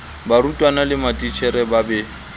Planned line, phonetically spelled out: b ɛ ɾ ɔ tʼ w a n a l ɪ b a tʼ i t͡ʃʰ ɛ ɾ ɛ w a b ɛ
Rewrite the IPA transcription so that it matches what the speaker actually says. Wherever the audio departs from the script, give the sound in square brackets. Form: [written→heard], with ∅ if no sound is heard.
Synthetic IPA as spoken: b [ɛ→a] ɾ [ɔ→u] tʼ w a n a l ɪ [b→m] a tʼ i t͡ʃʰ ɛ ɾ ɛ [w→b] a b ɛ